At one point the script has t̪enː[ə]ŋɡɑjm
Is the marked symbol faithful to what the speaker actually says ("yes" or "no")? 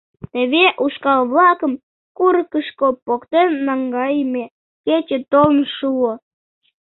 no